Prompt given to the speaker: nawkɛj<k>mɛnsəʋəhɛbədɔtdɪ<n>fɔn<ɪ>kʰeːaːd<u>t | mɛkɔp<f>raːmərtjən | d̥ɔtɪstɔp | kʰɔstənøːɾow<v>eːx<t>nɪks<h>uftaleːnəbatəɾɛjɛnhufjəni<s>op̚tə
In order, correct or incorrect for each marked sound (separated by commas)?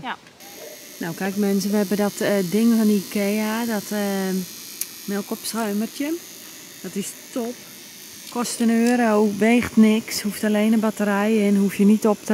correct, incorrect, incorrect, incorrect, incorrect, incorrect, correct, correct, incorrect